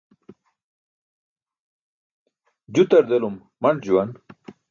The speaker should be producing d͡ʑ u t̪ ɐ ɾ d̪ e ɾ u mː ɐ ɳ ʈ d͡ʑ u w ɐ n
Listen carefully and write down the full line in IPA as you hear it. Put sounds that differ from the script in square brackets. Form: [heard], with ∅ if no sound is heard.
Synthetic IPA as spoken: d͡ʑ u t̪ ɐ ɾ d̪ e [l] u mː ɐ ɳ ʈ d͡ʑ u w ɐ n